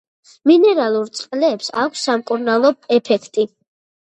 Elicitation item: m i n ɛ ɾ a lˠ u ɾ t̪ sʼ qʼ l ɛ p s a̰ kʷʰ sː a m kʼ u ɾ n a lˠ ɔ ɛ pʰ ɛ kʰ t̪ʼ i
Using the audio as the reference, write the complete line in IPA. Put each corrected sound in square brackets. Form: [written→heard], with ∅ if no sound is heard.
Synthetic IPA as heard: m i n ɛ ɾ a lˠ u ɾ t̪ sʼ qʼ l [ɛ→ɛː] p s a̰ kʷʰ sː a m kʼ u ɾ n a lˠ ɔ ɛ pʰ ɛ kʰ t̪ʼ i